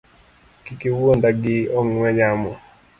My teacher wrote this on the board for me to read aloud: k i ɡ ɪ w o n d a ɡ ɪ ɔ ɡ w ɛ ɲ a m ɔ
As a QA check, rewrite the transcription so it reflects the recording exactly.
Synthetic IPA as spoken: k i k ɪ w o n d a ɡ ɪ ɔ ŋ w ɛ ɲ a m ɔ

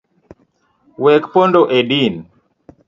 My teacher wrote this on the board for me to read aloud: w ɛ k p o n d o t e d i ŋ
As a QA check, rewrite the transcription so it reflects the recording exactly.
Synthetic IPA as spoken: w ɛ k p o n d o ʔ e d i n

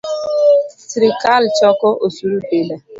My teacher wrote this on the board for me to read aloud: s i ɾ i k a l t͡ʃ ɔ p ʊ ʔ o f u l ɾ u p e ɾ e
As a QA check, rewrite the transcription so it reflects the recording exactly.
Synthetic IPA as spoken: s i ɾ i k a l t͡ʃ ɔ k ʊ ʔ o s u ɾ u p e l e

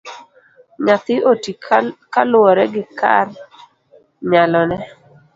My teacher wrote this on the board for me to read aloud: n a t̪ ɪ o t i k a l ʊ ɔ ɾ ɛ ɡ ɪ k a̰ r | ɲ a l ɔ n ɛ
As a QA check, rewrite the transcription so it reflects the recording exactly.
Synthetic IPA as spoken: ɲ a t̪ ɪ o t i k a l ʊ ɔ ɾ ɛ ɡ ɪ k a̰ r | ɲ a l ɔ n ɛ

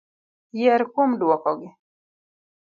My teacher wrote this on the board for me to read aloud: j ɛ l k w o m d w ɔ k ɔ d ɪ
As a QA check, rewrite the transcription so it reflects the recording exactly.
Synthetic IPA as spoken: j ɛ ɾ k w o m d w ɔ k ɔ ɡ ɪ

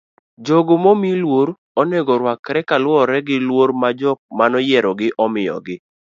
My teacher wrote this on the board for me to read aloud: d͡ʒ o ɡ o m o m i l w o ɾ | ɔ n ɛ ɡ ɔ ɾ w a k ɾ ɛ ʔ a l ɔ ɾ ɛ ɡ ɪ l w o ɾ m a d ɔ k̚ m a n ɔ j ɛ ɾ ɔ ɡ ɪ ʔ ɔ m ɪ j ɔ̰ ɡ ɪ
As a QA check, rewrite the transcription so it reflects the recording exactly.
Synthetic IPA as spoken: d͡ʒ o ɡ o m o m i l w o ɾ | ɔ n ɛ ɡ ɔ ɾ w a k ɾ ɛ k a l ɔ ɾ ɛ ɡ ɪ l w o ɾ m a d͡ʒ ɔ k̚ m a n ɔ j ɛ ɾ ɔ ɡ ɪ ʔ ɔ m ɪ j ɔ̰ ɡ ɪ

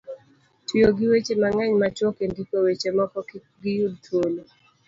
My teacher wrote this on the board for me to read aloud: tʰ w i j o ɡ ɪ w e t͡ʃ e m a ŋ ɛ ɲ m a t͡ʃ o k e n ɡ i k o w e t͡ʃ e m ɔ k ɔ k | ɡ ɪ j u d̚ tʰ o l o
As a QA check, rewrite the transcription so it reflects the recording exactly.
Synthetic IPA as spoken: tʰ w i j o ɡ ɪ w e t͡ʃ e m a ŋ ɛ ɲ m a t͡ʃ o k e n d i k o w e t͡ʃ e m ɔ k ɔ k | ɡ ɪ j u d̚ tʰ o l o

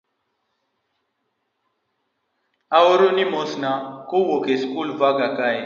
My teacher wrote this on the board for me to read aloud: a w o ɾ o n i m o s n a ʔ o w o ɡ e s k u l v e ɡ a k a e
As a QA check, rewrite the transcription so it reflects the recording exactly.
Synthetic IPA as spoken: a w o ɾ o n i m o s n a k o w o k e s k u l v a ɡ a k a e

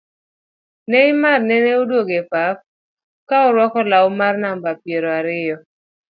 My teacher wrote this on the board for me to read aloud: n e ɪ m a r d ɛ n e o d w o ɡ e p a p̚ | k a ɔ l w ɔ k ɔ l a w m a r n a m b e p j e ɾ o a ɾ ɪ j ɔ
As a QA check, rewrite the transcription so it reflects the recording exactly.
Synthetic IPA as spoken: n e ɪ m a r n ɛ n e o d w o ɡ e p a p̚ | k a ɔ ɾ w ɔ k ɔ l a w m a r n a m b a p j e ɾ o a ɾ ɪ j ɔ

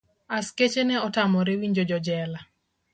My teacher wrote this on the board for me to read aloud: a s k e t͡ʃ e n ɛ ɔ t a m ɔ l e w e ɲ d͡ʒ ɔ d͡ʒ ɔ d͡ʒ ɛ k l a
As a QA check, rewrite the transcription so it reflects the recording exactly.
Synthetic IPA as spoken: a s k e t͡ʃ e n ɛ ɔ t a m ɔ ɾ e w i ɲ d͡ʒ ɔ d͡ʒ ɔ d͡ʒ ɛ l a

